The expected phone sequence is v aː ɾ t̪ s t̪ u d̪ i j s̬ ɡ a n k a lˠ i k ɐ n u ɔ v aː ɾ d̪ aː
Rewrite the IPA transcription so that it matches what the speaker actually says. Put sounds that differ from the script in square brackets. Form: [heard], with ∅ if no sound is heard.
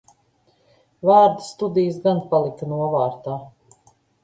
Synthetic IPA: v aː ɾ [d̪] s t̪ u d̪ i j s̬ ɡ a n [p] a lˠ i k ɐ n u ɔ v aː ɾ [t̪] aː